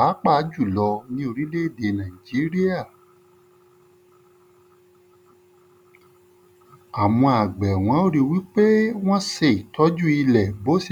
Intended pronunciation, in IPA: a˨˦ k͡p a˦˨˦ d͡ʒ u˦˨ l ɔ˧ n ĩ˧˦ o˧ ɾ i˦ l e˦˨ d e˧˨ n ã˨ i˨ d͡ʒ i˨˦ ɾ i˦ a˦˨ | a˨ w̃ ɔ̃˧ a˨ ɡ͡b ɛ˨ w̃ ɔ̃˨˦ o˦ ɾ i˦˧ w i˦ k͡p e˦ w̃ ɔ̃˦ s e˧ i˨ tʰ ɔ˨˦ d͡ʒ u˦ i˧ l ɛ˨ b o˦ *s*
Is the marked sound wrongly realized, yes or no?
no